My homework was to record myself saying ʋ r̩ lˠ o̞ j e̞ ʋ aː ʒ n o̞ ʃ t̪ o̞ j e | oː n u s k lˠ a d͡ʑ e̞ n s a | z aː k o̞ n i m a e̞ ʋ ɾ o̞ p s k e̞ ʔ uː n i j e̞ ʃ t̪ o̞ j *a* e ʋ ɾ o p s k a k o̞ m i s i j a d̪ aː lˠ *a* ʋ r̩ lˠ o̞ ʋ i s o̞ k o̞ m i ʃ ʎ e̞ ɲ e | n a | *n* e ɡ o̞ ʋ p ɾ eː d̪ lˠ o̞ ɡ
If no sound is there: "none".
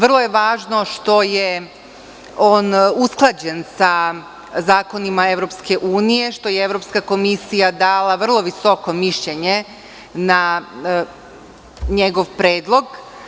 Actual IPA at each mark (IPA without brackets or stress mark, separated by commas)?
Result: e, a, ɲ